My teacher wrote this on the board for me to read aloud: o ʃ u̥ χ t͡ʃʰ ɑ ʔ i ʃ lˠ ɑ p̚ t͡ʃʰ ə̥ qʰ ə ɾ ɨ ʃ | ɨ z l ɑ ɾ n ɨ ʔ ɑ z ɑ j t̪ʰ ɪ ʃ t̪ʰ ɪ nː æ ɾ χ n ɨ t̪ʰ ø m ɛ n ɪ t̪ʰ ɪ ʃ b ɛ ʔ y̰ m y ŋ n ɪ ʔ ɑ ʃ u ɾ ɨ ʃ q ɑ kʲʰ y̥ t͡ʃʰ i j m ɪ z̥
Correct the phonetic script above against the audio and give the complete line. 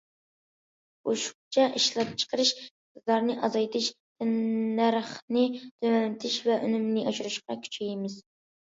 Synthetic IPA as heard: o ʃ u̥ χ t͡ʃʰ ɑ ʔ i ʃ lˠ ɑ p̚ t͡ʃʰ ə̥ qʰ ə ɾ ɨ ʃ | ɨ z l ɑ ɾ n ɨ ʔ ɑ z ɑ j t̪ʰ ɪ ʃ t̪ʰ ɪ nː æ ɾ χ n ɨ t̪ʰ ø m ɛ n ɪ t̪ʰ ɪ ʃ v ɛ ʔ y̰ n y m n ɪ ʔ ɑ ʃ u ɾ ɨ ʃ q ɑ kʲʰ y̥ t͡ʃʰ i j m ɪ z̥